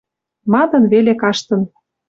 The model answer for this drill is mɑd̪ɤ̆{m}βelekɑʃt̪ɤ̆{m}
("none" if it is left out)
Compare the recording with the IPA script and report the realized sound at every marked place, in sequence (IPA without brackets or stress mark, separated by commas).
n, n